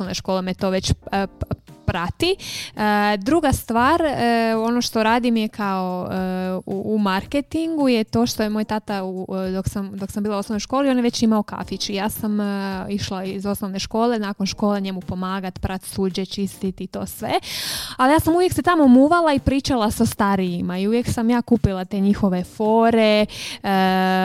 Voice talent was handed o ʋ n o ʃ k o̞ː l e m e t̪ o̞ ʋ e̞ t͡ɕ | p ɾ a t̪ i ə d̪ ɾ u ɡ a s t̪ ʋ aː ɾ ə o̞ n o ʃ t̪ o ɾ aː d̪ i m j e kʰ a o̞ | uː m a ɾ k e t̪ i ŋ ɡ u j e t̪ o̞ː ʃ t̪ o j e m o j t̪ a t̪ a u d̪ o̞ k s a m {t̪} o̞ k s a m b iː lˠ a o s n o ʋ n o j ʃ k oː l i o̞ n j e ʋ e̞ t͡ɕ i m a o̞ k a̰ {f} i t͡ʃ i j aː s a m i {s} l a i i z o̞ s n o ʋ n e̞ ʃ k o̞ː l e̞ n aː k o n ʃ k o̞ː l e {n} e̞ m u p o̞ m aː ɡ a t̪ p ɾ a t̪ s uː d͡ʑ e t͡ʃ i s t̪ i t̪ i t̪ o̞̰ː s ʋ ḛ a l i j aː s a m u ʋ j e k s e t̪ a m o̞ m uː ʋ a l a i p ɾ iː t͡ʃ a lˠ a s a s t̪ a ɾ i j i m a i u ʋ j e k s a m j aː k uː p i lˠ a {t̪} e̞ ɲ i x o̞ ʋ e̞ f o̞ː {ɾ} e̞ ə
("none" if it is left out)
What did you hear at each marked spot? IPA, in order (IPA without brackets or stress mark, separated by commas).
d̪, f, ʃ, ɲ, t̪, ɾ